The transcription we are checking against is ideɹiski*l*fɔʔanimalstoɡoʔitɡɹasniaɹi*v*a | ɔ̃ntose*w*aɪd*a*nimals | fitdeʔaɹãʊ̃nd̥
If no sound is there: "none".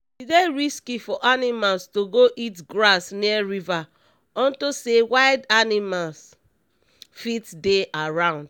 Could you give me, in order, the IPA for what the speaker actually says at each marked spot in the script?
none, v, w, a

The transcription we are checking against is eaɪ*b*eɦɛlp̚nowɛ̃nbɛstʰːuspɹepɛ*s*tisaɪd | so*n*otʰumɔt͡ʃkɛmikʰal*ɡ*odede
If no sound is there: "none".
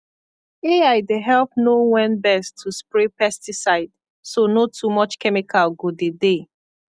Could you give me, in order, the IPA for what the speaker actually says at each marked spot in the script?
d, s, n, ɡ

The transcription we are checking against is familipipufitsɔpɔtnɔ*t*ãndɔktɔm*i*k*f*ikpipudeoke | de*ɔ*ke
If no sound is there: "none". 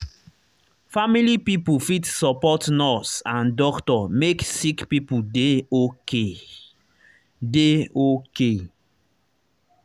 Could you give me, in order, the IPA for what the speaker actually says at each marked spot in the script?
s, e, s, o

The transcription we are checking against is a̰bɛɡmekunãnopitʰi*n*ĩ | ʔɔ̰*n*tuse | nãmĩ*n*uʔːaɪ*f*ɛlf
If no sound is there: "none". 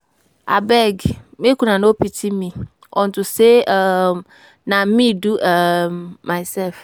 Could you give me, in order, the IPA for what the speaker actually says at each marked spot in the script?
m, n, d, s

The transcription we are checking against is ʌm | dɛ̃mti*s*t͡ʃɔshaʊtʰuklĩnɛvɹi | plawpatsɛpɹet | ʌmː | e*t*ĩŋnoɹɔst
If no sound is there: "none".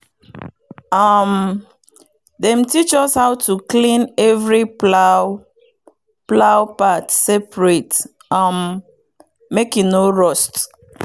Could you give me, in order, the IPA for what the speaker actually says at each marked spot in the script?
none, k

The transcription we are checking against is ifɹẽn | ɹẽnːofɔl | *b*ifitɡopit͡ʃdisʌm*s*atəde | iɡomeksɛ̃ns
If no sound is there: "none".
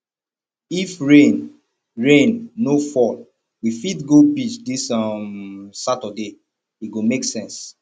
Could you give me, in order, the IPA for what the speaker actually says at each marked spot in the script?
w, s

